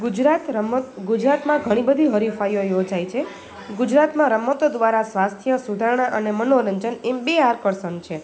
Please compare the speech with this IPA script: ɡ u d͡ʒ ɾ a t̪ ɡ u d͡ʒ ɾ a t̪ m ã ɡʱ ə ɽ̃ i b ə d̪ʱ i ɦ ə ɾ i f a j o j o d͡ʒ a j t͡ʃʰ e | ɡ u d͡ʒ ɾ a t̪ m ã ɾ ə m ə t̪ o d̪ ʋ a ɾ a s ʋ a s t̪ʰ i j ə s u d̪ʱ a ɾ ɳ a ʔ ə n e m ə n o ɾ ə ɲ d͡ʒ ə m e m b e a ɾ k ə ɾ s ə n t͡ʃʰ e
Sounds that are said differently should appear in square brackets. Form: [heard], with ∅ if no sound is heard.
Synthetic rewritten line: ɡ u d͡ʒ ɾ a t̪ ɡ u d͡ʒ ɾ a t̪ m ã ɡʱ ə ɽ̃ i b ə d̪ʱ i ɦ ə ɾ i f a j o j o d͡ʒ a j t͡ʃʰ e | ɡ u d͡ʒ ɾ a t̪ m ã ɾ ə m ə t̪ o d̪ ʋ a ɾ a s ʋ a s t̪ʰ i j ə s u d̪ʱ a ɾ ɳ a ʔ ə n e m ə n o ɾ ə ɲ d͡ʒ ə [n] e m b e a ɾ k ə ɾ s ə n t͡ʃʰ e

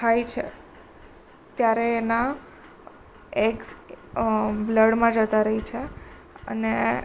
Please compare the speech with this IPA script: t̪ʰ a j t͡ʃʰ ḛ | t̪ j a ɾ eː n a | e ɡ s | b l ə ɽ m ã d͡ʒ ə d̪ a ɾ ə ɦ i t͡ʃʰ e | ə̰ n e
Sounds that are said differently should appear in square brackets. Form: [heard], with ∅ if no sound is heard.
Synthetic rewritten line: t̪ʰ a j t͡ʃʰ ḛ | t̪ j a ɾ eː n a | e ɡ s | b l ə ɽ m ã d͡ʒ ə [t̪] a ɾ ə ɦ i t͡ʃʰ e | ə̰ n e

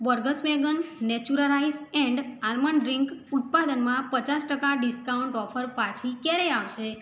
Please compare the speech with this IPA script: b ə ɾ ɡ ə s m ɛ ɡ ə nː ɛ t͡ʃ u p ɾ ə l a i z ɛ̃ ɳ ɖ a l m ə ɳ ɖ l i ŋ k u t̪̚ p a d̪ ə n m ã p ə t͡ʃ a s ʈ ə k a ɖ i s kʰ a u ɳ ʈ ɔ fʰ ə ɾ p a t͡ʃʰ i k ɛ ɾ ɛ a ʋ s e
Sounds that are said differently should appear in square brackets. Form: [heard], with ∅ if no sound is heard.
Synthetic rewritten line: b ə ɾ ɡ ə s m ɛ ɡ ə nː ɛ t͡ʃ u [∅] ɾ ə l a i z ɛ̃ ɳ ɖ a l m ə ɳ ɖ [ɾ] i ŋ k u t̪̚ p a d̪ ə n m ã p ə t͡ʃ a s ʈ ə k a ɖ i s [k] a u ɳ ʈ ɔ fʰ ə ɾ p a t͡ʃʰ i k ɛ ɾ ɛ a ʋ [ʃ] e

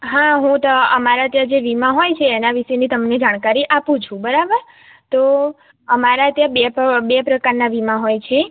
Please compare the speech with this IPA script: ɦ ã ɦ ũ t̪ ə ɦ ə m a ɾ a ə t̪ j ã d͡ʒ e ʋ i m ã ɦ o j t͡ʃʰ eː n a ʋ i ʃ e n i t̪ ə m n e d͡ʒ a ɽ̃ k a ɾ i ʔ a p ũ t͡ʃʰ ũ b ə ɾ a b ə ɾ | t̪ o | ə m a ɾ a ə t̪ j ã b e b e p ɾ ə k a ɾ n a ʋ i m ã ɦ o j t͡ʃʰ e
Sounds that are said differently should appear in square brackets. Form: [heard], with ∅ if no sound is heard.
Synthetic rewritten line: ɦ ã ɦ ũ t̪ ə [∅] ə m a ɾ a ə t̪ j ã d͡ʒ e ʋ i m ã ɦ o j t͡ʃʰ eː n a ʋ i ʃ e n i t̪ ə m n e d͡ʒ a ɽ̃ k a ɾ i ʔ a p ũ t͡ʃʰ ũ b ə ɾ a b ə ɾ | t̪ o | ə m a ɾ a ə t̪ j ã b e b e p ɾ ə k a ɾ n a ʋ i m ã ɦ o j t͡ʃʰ e

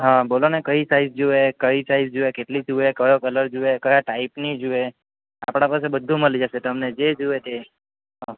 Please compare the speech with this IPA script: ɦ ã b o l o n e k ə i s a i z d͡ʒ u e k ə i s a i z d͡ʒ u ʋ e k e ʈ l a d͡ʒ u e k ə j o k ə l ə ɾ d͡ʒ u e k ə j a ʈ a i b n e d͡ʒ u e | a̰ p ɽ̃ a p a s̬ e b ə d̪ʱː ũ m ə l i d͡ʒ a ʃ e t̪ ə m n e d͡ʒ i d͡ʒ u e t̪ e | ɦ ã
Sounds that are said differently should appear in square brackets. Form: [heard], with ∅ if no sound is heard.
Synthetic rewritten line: ɦ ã b o l o n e k ə i s a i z d͡ʒ u e k ə i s a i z d͡ʒ u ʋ e k e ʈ l [i] d͡ʒ u e k ə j o k ə l ə ɾ d͡ʒ u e k ə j a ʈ a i [p] n [i] d͡ʒ u e | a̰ p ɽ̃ a p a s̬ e b ə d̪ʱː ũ m ə l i d͡ʒ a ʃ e t̪ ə m n e d͡ʒ [e] d͡ʒ u e t̪ e | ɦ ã

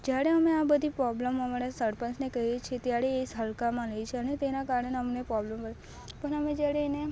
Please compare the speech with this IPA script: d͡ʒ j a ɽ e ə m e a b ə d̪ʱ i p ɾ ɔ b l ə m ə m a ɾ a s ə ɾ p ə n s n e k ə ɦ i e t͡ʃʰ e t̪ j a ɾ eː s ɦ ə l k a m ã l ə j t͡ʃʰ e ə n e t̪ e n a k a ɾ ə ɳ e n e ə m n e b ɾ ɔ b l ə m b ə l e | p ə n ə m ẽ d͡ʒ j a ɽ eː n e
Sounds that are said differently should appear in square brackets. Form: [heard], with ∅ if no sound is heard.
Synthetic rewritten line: d͡ʒ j a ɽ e ə m e a b ə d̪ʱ i p ɾ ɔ b l ə m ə m a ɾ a s ə ɾ p ə n s n e k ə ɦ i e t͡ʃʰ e t̪ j a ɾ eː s ɦ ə l k a m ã l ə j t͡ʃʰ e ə n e t̪ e n a k a ɾ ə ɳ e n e ə m n e [p] ɾ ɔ b l ə m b ə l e | p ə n ə m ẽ d͡ʒ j a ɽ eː n e

